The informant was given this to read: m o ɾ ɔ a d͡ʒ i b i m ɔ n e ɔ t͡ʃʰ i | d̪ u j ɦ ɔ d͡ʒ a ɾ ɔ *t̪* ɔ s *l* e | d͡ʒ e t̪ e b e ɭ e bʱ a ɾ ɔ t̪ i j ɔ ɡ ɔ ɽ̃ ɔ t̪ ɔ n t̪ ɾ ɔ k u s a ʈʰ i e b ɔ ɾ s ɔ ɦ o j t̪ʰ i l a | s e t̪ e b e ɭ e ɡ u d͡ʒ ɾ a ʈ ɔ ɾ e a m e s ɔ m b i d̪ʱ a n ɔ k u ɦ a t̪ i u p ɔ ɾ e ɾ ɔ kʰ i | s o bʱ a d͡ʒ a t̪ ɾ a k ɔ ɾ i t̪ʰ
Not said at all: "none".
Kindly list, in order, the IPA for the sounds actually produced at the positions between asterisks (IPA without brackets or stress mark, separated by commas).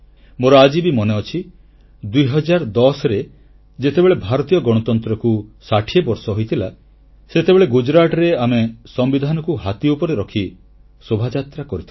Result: d̪, ɾ